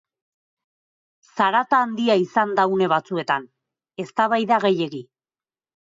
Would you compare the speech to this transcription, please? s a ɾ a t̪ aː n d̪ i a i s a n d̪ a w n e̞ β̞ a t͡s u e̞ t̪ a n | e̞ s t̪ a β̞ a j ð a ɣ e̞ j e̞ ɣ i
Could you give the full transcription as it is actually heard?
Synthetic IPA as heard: s a ɾ a t̪ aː n d̪ i a i s a n d̪ a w n e̞ β̞ a t͡s u e̞ t̪ a n | e̞ s t̪ a β̞ a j ð a ɣ e̞ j e̞ ɣ i